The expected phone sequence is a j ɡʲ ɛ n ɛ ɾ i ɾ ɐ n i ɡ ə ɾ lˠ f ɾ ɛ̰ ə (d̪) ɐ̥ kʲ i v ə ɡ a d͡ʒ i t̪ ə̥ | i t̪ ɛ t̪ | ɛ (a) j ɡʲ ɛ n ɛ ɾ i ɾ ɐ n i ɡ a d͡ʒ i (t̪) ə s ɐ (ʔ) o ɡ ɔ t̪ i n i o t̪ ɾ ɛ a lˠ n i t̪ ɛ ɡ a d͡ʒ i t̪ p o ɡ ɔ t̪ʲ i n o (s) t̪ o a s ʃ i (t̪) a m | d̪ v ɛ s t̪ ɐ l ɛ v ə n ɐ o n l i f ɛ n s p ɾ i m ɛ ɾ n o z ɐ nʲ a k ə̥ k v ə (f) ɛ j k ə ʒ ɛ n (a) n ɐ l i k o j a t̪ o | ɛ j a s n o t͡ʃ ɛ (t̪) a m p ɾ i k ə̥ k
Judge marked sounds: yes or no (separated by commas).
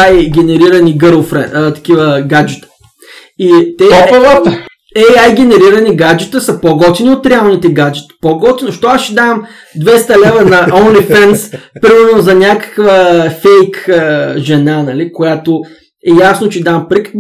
no, yes, yes, no, no, no, yes, yes, no